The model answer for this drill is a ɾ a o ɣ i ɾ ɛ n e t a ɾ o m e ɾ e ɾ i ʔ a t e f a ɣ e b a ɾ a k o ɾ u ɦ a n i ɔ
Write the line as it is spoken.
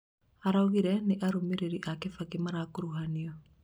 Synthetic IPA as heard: a ɾ a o ɣ i ɾ ɛ n e ʔ a ɾ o m e ɾ e ɾ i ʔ a k e f a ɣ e m a ɾ a k o ɾ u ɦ a n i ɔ